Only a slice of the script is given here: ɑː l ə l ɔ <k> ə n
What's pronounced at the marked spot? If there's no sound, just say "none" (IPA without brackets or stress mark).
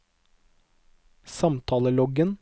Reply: ɡ